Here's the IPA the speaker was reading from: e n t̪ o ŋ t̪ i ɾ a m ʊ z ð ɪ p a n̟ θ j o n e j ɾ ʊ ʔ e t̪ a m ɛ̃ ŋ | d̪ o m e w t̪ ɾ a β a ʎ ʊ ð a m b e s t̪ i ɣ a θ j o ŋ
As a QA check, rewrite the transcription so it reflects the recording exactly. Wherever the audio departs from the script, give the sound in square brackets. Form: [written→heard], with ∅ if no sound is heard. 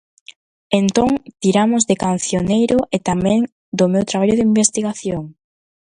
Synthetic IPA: e n t̪ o ŋ t̪ i ɾ a m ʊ z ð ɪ [p→k] a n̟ θ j o n e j ɾ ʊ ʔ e t̪ a m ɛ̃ ŋ | d̪ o m e w t̪ ɾ a β a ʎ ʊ ð [a→i] m b e s t̪ i ɣ a θ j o ŋ